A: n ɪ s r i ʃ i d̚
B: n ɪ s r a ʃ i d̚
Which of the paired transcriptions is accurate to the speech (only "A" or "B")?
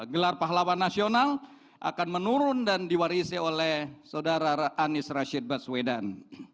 B